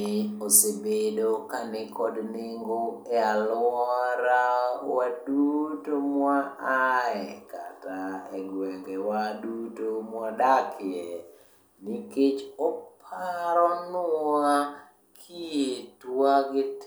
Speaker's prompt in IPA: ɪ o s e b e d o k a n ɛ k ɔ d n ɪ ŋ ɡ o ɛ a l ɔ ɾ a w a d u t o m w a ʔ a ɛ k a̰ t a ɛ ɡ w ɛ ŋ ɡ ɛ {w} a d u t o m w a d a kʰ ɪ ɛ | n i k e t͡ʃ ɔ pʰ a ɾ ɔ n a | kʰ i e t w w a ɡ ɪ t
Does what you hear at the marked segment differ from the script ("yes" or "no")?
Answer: no